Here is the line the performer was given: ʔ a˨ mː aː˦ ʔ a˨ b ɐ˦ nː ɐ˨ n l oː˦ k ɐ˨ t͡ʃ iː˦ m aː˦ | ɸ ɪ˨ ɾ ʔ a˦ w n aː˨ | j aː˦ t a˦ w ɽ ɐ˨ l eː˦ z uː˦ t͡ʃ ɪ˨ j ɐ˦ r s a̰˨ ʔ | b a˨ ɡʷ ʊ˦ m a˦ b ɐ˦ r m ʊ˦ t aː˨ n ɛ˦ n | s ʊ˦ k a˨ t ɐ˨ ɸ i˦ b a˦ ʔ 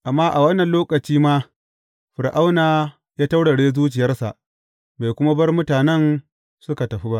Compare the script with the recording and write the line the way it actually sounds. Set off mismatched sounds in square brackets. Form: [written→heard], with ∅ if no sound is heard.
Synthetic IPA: ʔ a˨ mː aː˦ ʔ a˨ [b→w] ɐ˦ nː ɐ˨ n l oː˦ k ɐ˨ t͡ʃ iː˦ m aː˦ | ɸ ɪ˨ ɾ ʔ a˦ w n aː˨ | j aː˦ t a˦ w ɽ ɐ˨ [l→ɽ] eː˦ z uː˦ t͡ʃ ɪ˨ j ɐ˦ r s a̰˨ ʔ | b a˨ [ɡʷ→kʷ] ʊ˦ m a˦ b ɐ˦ r m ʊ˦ t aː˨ n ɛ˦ n | s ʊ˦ k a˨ t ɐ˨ ɸ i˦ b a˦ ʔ